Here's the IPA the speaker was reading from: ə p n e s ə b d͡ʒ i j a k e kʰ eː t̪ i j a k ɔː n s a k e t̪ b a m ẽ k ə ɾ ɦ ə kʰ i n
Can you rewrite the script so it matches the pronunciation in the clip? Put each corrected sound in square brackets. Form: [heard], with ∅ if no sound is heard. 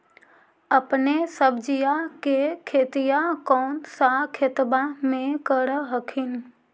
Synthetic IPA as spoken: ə p n e s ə b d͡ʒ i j a k e kʰ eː t̪ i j a k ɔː n s a [kʰ] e t̪ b a m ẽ k ə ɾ ɦ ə kʰ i n

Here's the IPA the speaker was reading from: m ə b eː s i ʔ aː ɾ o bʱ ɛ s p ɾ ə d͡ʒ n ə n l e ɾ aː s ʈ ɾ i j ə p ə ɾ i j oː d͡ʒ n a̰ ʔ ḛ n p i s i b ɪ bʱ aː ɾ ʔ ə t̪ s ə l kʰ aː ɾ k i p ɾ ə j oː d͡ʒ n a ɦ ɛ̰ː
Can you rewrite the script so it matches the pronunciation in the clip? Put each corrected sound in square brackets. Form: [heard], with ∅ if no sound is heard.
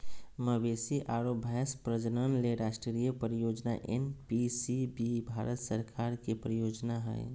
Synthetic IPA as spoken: m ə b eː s i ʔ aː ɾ o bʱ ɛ s p ɾ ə d͡ʒ n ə n l e ɾ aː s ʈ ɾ i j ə p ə ɾ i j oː d͡ʒ n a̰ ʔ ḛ n p i s i b [i] bʱ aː ɾ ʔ ə t̪ s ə [ɾ] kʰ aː ɾ k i p ɾ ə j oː d͡ʒ n a ɦ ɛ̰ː

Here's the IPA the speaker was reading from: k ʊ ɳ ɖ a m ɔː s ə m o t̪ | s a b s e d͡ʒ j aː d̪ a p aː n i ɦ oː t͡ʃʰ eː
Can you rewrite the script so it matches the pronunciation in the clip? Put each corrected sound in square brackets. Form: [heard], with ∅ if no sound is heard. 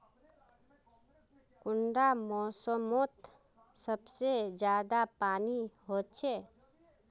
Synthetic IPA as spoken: k ʊ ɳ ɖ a m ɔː s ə m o t̪ | s [ə] b s e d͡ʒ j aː d̪ a p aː n i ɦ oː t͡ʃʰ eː

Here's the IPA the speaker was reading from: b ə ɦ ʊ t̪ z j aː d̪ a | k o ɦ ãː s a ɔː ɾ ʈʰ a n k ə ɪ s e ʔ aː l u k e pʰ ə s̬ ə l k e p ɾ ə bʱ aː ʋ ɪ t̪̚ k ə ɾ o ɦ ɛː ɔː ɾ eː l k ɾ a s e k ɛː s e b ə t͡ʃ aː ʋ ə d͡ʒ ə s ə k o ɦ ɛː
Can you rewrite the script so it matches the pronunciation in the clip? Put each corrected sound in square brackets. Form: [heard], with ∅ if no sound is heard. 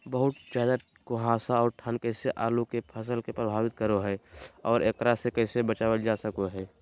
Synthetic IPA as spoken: b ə ɦ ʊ t̪ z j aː d̪ a | k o ɦ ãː s a ɔː ɾ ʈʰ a n k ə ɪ s e ʔ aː l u k e pʰ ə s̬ ə l k e p ɾ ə bʱ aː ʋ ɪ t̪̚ k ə ɾ o ɦ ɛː ɔː ɾ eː [∅] k ɾ a s e k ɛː s e b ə t͡ʃ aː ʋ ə d͡ʒ [a] s ə k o ɦ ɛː

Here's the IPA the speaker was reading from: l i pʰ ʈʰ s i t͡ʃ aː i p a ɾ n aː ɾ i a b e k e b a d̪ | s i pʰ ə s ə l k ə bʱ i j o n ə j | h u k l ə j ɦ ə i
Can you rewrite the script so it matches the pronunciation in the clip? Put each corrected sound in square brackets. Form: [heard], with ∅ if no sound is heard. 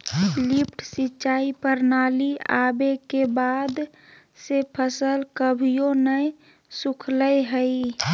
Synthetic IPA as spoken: l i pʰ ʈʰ s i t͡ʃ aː i p [ə] ɾ n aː [l] i a b e k e b a d̪ | s [e] pʰ ə s ə l k ə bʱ i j o n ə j | [s] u [kʰ] l ə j ɦ ə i

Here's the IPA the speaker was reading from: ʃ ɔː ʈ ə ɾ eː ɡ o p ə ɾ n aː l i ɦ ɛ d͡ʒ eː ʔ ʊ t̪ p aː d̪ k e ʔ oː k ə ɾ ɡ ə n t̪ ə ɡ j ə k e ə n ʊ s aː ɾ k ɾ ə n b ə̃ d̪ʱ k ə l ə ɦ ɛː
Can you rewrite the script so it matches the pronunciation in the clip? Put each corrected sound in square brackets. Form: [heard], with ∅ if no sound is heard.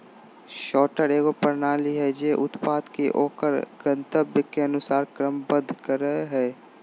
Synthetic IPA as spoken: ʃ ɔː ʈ ə ɾ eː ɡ o p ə ɾ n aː l i ɦ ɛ d͡ʒ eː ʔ ʊ t̪ p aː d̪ k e ʔ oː k ə ɾ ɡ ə n t̪ ə [b] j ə k e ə n ʊ s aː ɾ k ɾ ə [m] b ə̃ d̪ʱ k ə [ɾ] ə ɦ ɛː

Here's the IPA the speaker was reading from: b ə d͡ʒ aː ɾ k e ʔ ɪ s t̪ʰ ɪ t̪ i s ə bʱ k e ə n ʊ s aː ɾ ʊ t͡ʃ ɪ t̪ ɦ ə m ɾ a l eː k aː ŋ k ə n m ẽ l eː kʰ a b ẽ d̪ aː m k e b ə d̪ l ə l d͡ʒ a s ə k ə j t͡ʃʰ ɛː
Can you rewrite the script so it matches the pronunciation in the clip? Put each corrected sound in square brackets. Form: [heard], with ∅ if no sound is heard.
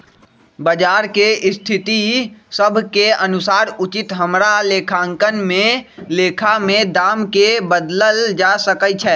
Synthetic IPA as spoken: b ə d͡ʒ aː ɾ k e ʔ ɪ s t̪ʰ ɪ t̪ i s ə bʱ k e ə n ʊ s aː ɾ ʊ t͡ʃ ɪ t̪ ɦ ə m ɾ a l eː [kʰ] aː ŋ k ə n m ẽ l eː kʰ a [m] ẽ d̪ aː m k e b ə d̪ l ə l d͡ʒ a s ə k ə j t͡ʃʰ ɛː

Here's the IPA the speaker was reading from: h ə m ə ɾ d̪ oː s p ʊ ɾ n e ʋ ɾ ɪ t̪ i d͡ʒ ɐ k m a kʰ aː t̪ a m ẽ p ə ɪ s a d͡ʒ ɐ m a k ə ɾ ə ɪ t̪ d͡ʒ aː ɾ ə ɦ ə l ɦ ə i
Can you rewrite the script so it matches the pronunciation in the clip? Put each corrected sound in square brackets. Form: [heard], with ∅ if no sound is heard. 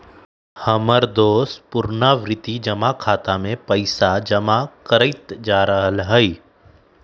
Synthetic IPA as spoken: h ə m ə ɾ d̪ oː s p ʊ ɾ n [a] ʋ ɾ ɪ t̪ i d͡ʒ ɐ [∅] m a kʰ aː t̪ a m ẽ p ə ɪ s a d͡ʒ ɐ m a k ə ɾ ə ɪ t̪ d͡ʒ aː ɾ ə ɦ ə l ɦ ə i

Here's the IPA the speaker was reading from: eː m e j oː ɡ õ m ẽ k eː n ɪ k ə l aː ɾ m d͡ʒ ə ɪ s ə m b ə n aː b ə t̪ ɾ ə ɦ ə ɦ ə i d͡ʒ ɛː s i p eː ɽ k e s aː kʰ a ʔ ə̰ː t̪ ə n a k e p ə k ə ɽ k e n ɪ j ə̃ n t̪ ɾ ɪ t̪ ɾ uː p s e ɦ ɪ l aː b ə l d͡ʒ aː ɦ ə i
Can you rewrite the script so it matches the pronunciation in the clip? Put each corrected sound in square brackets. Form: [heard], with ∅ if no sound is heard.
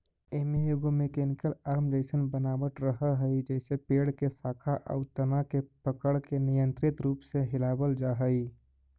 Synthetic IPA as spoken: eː m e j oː ɡ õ m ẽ k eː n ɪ k ə l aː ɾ m d͡ʒ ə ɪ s ə [n] b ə n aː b ə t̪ ɾ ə ɦ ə ɦ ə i d͡ʒ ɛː s [e] p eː ɽ k e s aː kʰ a ʔ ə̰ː t̪ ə n a k e p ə k ə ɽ k e n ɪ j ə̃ n t̪ ɾ ɪ t̪ ɾ uː p s e ɦ ɪ l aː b ə l d͡ʒ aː ɦ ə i

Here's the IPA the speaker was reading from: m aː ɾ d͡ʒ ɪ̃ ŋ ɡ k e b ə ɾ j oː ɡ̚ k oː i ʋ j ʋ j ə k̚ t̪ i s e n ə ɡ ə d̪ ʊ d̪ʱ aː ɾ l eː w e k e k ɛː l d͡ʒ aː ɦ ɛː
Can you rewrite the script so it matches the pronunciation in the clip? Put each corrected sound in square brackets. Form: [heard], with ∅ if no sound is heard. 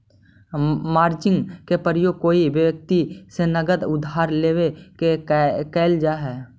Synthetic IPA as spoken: m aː ɾ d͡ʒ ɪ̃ ŋ ɡ k e [p] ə ɾ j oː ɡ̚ k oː i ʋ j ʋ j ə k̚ t̪ i s e n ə ɡ ə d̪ ʊ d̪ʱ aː ɾ l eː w e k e k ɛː l d͡ʒ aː ɦ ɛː

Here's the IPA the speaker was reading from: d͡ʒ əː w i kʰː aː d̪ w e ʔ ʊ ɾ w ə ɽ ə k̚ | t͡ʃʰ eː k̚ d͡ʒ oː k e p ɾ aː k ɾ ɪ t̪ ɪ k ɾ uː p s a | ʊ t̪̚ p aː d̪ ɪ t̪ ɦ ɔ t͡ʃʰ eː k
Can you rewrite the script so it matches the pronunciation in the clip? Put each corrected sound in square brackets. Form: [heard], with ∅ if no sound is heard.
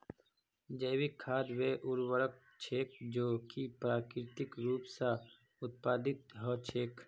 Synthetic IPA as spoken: d͡ʒ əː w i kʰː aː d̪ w e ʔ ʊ ɾ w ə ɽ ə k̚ | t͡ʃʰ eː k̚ d͡ʒ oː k [i] p ɾ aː k ɾ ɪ t̪ ɪ k ɾ uː p s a | ʊ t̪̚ p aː d̪ ɪ t̪ ɦ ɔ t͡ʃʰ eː k

